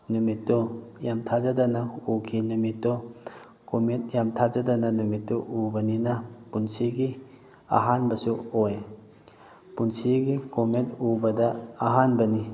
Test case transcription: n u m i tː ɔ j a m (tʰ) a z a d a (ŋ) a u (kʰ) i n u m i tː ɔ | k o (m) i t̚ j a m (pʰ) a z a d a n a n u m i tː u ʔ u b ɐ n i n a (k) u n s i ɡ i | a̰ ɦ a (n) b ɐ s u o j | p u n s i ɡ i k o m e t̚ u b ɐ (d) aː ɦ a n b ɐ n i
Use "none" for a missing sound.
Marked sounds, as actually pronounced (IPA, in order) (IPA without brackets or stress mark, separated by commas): tʰ, n, kʰ, m, tʰ, p, n, d